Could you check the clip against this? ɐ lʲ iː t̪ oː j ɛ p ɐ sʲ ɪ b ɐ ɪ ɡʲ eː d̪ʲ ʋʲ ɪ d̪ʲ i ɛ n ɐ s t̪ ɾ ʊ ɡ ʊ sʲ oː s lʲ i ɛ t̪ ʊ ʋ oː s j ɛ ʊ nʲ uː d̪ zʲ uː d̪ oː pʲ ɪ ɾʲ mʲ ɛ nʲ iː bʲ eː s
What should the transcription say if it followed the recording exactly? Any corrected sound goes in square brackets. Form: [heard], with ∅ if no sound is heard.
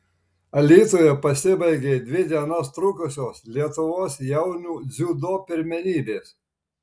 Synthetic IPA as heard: ɐ lʲ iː t̪ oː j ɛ p ɐ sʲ ɪ b ɐ ɪ ɡʲ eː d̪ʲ ʋʲ ɪ d̪ʲ i ɛ n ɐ s t̪ ɾ ʊ [k] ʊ sʲ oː s lʲ i ɛ t̪ ʊ ʋ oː s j ɛ ʊ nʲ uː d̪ zʲ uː d̪ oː pʲ ɪ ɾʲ mʲ ɛ nʲ iː bʲ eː s